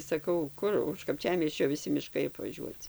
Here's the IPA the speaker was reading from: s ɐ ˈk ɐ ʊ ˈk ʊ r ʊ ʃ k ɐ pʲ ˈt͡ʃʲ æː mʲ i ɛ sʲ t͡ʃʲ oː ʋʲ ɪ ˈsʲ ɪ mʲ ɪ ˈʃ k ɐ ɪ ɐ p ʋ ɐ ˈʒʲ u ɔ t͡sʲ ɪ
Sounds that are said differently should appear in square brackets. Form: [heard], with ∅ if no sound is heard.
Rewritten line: s ɐ ˈk ɐ ʊ ˈk ʊ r ʊ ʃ k ɐ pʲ ˈt͡ʃʲ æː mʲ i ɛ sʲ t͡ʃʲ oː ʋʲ ɪ ˈsʲ ɪ mʲ ɪ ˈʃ k ɐ ɪ ɐ p ʋ ɐ ˈʒʲ u ɔ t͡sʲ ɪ